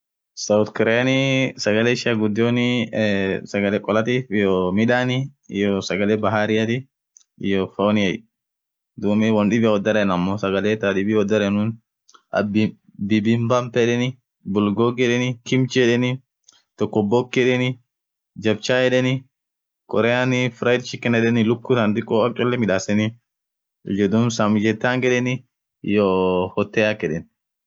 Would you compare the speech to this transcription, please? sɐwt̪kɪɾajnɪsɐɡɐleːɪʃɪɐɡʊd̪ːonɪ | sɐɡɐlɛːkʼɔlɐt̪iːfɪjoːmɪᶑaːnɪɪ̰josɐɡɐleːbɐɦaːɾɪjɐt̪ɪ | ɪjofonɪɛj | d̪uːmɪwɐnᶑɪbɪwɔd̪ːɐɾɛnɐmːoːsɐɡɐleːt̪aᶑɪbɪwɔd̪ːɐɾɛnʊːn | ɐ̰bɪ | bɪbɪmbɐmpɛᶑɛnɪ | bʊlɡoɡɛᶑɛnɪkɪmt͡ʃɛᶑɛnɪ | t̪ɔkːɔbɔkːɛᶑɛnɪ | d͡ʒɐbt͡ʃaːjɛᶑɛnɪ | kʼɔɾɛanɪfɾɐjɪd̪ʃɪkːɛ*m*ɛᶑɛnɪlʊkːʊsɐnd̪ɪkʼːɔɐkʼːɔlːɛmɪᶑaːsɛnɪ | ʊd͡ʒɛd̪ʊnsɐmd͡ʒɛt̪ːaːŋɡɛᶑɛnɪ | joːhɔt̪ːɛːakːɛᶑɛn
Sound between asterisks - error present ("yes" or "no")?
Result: yes